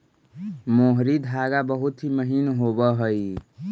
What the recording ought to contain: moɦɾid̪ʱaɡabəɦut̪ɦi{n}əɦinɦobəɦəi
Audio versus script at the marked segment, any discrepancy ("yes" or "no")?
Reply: yes